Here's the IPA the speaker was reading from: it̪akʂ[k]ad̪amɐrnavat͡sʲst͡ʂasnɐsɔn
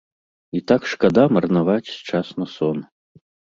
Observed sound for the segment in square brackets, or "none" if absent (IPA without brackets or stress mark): k